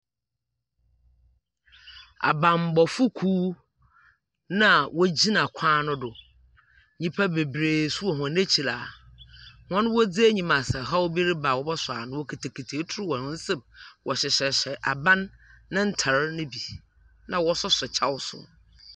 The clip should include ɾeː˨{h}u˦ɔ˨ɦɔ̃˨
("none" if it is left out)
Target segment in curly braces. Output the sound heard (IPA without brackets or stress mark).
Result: s